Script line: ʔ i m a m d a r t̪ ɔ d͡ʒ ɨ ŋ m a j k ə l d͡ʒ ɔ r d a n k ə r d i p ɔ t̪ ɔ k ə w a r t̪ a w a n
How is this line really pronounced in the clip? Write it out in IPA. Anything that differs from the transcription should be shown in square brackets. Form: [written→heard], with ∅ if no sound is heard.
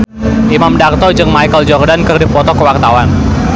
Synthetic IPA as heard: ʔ i m a m d a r t̪ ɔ d͡ʒ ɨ ŋ m a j k ə l d͡ʒ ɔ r d a n k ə r d i p ɔ t̪ ɔ k ə w a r t̪ a w a n